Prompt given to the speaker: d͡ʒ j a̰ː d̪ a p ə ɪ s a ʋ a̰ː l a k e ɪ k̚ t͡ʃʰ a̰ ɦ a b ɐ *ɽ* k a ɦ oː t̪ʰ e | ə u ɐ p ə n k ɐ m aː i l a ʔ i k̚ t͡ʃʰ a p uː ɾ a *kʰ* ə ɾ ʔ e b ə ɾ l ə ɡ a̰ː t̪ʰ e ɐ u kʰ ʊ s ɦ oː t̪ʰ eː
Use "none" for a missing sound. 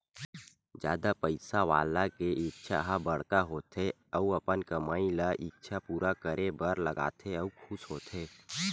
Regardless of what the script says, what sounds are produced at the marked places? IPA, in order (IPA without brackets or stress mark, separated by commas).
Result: ɽ, k